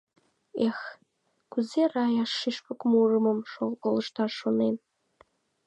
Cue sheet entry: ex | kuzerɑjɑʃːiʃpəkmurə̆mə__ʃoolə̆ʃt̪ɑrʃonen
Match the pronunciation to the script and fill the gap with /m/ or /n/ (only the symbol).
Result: m